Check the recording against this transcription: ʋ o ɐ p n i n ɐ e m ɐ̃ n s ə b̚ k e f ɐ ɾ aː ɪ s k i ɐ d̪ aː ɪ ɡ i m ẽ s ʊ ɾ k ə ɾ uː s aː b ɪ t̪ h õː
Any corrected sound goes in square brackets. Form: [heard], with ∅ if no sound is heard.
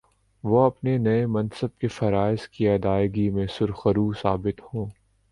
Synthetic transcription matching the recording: ʋ o ɐ p n [e] n ɐ e m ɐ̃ n s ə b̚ k e f ɐ ɾ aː ɪ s k i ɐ d̪ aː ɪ ɡ i m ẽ s ʊ ɾ [x] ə ɾ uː s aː b ɪ t̪ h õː